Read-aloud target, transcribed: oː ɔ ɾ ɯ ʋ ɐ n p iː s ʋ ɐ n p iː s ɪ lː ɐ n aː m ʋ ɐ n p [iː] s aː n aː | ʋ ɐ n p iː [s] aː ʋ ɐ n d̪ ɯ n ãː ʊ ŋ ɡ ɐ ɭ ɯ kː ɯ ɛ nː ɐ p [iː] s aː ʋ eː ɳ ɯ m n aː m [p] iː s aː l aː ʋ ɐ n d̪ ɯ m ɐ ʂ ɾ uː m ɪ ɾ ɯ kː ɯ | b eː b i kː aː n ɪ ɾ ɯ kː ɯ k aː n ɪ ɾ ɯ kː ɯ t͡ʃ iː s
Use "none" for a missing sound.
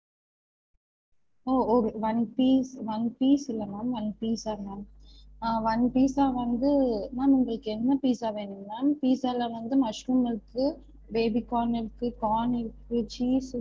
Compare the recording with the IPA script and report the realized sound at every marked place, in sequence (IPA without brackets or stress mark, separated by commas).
iː, s, iː, p